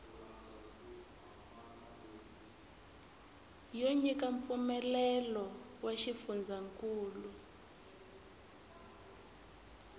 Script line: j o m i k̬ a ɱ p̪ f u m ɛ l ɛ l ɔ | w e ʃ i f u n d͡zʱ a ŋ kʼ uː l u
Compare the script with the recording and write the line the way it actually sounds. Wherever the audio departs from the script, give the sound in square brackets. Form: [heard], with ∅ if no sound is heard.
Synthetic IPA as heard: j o [ɲ] i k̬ a ɱ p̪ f u m ɛ l ɛ l ɔ | w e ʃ i f u n d͡zʱ a ŋ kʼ uː l u